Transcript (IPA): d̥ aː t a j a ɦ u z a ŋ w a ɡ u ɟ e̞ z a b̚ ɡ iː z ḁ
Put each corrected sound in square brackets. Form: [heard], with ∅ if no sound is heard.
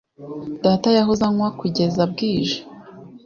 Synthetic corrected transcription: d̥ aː t a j a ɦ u z a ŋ w a [k] u ɟ e̞ z a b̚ ɡ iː [ʒ] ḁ